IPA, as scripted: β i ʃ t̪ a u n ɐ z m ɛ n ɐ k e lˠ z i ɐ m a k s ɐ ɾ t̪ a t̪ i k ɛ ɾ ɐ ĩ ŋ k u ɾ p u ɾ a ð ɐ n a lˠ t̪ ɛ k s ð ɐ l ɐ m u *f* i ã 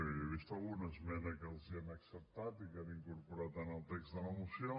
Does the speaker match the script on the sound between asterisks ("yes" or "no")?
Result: no